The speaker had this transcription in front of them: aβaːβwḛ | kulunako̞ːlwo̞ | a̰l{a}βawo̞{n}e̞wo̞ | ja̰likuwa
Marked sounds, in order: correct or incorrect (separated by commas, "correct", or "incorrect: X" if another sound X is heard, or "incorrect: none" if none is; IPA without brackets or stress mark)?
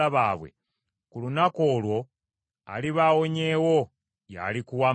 incorrect: i, incorrect: ɲ